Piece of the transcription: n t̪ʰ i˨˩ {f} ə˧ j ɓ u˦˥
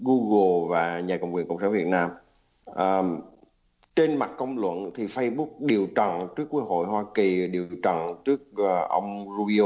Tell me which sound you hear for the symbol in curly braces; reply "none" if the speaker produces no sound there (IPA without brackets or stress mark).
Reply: f